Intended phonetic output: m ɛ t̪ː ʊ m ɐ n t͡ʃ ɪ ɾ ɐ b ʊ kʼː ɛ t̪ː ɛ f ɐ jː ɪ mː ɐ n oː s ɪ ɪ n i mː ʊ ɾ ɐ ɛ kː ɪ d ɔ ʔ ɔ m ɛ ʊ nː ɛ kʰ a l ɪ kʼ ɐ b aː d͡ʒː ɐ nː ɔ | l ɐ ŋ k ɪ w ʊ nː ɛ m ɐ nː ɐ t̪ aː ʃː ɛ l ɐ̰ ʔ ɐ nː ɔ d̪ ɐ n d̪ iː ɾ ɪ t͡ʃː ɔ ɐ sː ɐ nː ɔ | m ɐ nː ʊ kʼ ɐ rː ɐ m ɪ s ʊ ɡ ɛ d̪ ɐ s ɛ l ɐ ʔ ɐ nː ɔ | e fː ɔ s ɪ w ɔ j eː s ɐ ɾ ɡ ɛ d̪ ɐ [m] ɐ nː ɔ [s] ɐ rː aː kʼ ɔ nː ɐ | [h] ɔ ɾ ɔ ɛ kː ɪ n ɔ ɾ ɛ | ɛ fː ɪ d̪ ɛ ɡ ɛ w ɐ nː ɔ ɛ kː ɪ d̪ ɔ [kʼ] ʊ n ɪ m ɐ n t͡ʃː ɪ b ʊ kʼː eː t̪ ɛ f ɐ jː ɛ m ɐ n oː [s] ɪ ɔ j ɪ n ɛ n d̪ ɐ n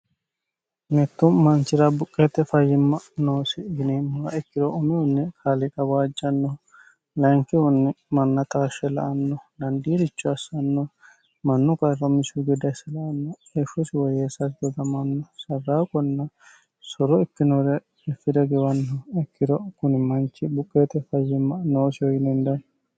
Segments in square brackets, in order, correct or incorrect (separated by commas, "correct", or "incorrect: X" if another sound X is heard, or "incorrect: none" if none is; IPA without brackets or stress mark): correct, correct, incorrect: s, incorrect: k, correct